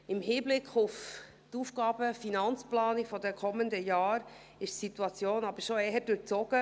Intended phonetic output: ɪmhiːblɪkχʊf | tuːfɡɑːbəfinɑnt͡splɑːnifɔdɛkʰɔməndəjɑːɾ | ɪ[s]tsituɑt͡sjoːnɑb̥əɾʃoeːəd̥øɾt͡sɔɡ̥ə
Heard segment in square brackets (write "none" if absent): ʃ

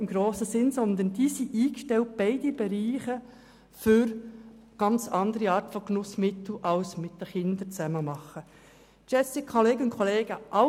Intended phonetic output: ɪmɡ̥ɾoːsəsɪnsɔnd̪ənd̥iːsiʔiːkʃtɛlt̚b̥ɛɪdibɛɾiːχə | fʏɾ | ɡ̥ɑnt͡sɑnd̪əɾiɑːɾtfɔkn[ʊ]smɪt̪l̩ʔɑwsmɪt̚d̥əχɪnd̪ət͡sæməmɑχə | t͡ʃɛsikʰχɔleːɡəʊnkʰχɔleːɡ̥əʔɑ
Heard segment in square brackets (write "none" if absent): ʊ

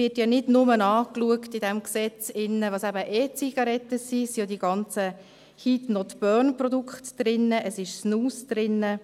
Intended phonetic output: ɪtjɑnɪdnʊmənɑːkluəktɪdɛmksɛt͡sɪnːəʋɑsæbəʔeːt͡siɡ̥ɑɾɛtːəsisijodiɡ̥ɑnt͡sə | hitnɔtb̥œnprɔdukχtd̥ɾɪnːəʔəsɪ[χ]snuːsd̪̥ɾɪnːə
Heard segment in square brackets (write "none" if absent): ʃ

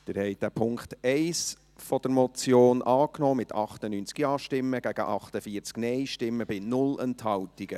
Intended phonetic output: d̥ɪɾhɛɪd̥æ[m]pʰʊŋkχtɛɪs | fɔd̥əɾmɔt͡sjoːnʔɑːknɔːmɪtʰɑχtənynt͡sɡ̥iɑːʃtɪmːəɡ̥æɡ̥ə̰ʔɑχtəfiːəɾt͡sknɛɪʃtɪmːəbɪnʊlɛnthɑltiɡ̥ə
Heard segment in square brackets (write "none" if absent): none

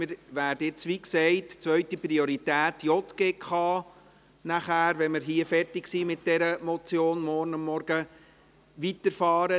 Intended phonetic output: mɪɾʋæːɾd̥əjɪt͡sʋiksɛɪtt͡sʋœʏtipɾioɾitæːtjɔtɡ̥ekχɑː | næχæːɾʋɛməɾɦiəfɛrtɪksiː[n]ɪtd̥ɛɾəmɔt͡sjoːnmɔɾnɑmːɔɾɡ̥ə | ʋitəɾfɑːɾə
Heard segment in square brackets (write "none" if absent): m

